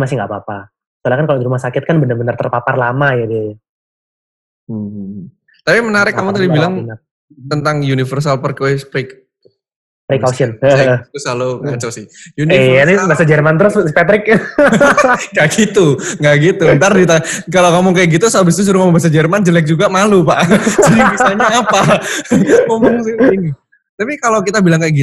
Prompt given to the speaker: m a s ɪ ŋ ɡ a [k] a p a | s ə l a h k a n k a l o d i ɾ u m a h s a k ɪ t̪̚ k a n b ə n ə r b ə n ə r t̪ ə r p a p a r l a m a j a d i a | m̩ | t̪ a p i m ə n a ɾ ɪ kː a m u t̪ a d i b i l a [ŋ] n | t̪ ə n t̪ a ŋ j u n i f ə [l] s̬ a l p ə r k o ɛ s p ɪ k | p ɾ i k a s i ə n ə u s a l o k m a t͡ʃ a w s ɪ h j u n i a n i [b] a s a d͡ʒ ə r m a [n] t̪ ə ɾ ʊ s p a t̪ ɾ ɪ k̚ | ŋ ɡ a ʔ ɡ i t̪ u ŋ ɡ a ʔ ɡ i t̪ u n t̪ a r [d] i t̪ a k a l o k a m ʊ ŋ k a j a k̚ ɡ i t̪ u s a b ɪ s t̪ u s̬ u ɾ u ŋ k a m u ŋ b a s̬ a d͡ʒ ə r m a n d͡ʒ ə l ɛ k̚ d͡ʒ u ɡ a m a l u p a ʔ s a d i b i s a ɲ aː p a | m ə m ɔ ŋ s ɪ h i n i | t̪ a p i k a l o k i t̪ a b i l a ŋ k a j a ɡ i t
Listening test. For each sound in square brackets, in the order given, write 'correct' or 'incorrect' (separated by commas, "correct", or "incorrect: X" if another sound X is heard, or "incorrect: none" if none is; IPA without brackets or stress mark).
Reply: incorrect: p, correct, incorrect: r, correct, correct, correct